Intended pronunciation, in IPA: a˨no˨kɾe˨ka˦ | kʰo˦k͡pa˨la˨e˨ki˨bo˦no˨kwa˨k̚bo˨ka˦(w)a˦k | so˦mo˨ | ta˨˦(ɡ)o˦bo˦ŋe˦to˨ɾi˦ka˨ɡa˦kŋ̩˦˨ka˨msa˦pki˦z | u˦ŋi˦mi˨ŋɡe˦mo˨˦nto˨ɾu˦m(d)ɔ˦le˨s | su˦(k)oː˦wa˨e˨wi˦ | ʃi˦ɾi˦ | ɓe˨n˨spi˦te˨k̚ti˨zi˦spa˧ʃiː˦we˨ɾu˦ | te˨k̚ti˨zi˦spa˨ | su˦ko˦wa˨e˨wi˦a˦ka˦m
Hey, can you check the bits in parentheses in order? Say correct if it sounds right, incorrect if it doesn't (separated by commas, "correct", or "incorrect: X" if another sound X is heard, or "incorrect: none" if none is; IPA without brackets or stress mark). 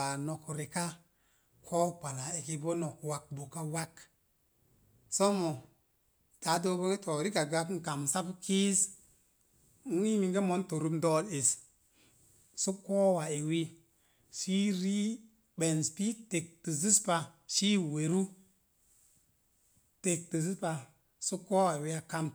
correct, incorrect: d, correct, correct